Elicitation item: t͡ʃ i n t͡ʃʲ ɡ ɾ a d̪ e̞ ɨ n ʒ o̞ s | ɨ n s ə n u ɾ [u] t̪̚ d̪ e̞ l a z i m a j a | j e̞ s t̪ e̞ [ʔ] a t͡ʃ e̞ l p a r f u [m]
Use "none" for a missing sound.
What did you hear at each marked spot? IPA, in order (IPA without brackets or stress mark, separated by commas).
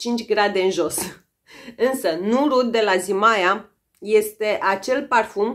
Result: u, ʔ, m